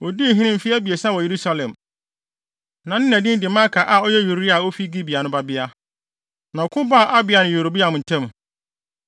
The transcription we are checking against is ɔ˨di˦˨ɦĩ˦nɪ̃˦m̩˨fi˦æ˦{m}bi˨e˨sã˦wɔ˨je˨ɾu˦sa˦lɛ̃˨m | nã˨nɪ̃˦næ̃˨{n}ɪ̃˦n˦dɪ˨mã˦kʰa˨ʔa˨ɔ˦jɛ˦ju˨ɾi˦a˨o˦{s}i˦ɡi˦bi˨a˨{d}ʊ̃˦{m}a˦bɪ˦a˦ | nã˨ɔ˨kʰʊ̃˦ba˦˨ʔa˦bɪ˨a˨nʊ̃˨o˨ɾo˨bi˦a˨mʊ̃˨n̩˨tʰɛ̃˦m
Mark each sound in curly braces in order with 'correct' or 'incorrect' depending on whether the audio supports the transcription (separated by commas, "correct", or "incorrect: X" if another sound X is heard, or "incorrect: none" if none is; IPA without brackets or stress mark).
incorrect: none, incorrect: d, incorrect: f, incorrect: n, incorrect: b